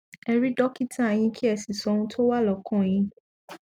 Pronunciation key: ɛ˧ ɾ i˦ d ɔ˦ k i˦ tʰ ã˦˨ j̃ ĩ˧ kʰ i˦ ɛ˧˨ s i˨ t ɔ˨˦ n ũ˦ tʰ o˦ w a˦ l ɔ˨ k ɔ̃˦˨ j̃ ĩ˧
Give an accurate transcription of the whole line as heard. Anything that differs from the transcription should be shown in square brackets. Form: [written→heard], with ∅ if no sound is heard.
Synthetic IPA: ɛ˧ ɾ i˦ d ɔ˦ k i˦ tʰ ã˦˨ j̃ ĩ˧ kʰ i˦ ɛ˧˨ s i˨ [t→s] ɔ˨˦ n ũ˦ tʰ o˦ w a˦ l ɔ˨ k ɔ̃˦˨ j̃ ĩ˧